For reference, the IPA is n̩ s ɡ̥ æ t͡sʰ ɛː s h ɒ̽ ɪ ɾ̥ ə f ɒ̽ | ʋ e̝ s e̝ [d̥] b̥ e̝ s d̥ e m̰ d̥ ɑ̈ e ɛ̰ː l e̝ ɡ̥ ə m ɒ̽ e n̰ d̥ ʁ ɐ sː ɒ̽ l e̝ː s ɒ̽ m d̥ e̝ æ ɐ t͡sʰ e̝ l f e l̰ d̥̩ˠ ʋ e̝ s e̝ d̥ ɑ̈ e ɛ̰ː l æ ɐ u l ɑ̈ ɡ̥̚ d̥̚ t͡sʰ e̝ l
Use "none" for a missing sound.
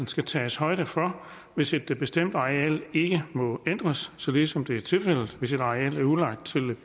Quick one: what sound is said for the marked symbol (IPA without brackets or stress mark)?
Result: d̥